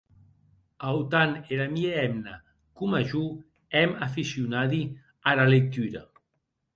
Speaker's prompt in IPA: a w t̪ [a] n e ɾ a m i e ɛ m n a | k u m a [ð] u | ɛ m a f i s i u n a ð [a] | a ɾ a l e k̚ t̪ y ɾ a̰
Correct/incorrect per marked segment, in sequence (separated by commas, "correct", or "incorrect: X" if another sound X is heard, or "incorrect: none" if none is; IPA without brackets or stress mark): correct, incorrect: ʒ, incorrect: i